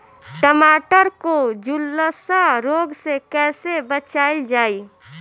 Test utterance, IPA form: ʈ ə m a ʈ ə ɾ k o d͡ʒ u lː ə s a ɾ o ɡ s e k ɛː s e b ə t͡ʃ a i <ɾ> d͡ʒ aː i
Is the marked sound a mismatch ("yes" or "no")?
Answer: yes